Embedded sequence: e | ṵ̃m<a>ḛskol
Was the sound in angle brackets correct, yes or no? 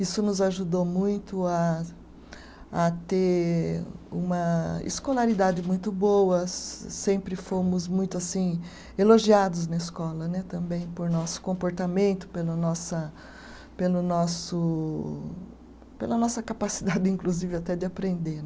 no